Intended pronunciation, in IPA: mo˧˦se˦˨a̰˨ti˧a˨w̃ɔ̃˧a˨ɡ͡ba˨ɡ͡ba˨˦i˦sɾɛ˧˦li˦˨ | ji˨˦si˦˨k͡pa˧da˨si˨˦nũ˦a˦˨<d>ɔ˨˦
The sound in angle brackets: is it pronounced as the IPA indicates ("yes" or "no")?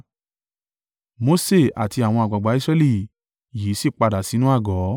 no